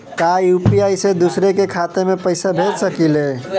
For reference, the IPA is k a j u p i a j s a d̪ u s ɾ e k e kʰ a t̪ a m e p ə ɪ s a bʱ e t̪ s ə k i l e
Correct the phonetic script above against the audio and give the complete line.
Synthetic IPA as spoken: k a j u p i a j s e d̪ u s ɾ e k e kʰ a t̪ e m e p ə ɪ s a bʱ e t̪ s ə k i l e